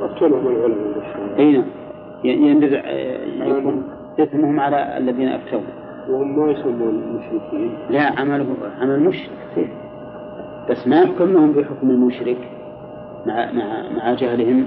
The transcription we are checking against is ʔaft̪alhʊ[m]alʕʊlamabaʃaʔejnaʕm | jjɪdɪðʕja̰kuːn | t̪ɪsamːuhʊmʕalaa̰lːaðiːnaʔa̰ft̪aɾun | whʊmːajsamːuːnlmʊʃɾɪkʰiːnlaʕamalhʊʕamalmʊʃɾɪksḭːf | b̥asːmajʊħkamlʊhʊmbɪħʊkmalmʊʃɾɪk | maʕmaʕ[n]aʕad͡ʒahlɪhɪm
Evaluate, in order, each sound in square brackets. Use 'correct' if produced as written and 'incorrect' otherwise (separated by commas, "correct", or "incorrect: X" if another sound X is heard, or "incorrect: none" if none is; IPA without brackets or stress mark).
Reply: correct, incorrect: m